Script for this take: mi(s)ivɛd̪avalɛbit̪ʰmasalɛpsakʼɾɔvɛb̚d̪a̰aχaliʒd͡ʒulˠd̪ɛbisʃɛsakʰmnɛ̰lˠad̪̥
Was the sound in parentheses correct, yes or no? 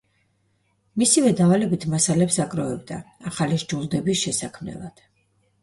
yes